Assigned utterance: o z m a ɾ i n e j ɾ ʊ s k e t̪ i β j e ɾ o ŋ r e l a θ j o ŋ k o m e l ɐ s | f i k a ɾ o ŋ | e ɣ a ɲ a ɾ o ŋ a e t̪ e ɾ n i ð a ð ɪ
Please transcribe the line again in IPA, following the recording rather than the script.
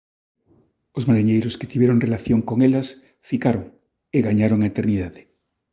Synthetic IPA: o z m a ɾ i ɲ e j ɾ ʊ s k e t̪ i β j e ɾ o ŋ r e l a θ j o ŋ k o ŋ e l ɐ s | f i k a ɾ o ŋ | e ɣ a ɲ a ɾ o ŋ a e t̪ e ɾ n i ð a ð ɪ